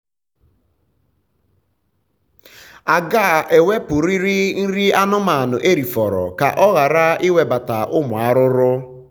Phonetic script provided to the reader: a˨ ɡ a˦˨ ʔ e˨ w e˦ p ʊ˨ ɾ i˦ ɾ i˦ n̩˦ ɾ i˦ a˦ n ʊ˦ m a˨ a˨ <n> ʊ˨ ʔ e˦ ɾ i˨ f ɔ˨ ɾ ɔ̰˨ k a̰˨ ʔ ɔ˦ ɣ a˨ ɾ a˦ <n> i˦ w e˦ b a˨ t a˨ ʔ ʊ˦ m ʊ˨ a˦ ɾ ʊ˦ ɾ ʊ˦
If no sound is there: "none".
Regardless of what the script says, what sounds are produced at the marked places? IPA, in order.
n, none

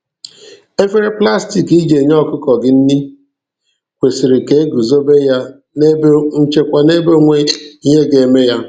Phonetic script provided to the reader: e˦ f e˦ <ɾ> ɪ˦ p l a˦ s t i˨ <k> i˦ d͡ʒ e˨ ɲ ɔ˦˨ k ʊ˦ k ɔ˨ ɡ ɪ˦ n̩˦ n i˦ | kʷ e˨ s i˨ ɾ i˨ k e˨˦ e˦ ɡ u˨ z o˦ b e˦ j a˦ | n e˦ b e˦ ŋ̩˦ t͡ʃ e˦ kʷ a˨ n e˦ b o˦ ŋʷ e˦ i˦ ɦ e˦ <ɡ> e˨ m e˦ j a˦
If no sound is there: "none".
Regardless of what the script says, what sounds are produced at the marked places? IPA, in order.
ɾ, k, ɡ

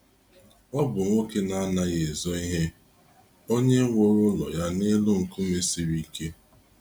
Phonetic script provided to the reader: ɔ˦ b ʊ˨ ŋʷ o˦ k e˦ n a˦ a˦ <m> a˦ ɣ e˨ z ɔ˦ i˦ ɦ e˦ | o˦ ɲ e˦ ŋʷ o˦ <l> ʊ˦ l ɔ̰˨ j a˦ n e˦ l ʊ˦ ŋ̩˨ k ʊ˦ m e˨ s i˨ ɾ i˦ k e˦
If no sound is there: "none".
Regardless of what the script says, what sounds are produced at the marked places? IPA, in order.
n, ɾ

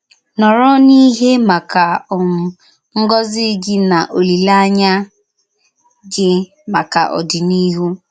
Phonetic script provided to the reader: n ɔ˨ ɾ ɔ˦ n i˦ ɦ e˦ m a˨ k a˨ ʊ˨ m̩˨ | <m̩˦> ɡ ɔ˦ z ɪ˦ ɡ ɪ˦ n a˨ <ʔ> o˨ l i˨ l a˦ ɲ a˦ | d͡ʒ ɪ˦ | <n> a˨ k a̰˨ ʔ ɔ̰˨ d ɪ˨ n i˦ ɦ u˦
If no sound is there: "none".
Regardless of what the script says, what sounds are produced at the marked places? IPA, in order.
ŋ̩˦, ʔ, m

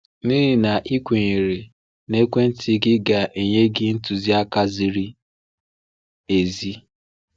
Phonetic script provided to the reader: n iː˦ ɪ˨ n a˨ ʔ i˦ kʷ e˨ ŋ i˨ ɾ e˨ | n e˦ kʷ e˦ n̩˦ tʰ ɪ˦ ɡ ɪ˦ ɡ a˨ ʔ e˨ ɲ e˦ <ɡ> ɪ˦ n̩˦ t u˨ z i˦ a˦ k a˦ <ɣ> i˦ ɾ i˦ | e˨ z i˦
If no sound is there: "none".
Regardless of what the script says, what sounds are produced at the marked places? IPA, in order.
ɡ, z

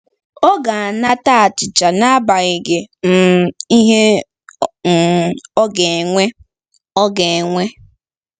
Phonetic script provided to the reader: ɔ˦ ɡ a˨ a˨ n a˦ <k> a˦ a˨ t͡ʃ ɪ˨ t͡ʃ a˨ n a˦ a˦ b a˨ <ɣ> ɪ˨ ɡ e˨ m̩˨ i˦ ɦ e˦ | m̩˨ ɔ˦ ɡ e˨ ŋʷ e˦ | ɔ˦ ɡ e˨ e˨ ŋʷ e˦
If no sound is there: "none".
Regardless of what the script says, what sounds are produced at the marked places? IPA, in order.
t, ɣ

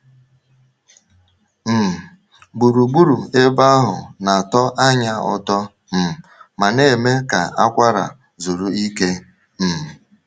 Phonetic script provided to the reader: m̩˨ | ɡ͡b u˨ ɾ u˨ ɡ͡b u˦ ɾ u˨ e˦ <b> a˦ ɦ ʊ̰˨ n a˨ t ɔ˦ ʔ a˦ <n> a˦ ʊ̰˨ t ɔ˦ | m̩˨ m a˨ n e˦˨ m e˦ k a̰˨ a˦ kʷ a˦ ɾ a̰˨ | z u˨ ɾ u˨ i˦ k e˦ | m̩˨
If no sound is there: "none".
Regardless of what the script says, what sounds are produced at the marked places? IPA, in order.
b, ɲ

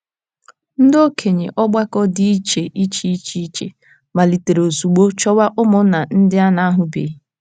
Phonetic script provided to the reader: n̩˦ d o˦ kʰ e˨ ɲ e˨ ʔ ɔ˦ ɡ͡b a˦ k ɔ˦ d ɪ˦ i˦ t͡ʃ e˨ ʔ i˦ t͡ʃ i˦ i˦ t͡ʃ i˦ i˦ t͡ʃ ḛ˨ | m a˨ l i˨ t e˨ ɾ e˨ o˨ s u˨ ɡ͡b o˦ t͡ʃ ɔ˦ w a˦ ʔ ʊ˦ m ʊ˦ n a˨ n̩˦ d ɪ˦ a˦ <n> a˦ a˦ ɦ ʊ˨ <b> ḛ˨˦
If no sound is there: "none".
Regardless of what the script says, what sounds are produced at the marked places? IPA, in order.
n, b

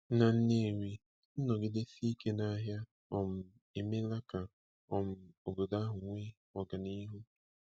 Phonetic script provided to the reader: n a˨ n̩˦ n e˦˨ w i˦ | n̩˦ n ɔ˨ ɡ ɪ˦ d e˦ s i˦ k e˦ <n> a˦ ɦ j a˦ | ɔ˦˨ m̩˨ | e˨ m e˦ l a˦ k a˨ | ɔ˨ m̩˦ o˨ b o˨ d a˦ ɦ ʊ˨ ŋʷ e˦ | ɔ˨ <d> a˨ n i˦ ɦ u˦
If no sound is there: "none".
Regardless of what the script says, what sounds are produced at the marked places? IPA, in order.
n, ɡ

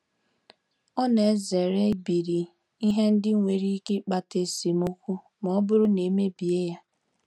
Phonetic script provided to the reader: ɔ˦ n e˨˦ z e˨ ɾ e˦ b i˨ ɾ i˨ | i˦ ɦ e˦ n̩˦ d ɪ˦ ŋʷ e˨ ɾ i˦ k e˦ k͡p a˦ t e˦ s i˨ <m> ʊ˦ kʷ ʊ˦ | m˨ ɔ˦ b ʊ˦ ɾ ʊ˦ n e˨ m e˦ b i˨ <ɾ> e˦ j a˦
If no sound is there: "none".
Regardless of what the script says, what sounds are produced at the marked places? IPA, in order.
m, none

